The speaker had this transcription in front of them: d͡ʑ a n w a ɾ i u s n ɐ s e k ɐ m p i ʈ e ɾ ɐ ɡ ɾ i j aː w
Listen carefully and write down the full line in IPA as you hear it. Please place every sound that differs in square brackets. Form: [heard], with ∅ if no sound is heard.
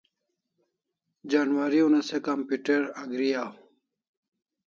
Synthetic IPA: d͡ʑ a n w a ɾ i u [∅] n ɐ s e k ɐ m p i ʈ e ɾ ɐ ɡ ɾ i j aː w